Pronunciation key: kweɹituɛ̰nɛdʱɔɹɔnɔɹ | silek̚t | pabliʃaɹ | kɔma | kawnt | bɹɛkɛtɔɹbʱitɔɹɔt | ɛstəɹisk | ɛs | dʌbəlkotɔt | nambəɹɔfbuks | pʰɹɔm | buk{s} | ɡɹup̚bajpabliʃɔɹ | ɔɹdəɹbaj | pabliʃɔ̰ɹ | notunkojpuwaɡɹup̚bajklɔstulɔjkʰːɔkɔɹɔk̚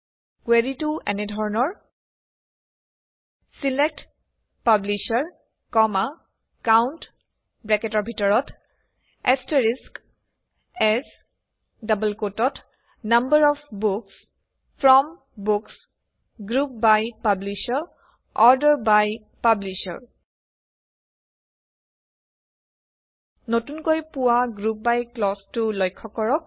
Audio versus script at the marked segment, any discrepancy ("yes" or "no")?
no